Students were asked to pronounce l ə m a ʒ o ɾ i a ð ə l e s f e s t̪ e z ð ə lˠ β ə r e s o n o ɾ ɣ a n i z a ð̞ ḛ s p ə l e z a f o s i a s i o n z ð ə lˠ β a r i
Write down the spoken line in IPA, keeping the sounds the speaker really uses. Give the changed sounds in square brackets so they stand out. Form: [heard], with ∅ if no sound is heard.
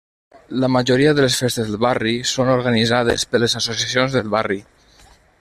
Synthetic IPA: l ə m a ʒ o ɾ i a ð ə l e s f e s t̪ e z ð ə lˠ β [a] r [i] s o n o ɾ ɣ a n i z a ð̞ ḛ s p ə l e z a [s] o s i a s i o n z ð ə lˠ β a r i